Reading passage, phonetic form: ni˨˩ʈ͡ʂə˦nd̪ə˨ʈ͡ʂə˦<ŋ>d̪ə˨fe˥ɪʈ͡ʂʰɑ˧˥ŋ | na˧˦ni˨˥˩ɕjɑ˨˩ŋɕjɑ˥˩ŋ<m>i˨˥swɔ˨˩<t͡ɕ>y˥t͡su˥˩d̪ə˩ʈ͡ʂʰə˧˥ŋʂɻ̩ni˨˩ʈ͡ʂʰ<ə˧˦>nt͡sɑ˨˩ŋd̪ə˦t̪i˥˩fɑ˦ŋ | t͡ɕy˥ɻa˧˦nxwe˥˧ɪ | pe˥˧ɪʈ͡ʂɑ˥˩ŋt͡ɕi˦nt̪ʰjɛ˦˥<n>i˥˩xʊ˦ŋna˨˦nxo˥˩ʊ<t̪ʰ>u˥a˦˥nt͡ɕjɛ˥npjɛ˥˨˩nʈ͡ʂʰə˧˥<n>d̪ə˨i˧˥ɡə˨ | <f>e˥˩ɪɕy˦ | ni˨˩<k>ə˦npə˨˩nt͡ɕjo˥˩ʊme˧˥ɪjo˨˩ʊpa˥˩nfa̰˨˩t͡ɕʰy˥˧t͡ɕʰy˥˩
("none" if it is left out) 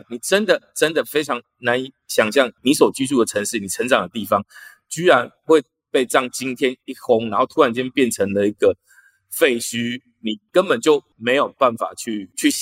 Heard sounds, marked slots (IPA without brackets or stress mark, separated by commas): n, n, t͡ɕ, ə˧˦, n, t̪ʰ, ŋ, f, k